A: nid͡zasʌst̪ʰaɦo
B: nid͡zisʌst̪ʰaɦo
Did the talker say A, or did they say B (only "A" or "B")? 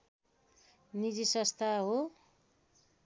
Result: B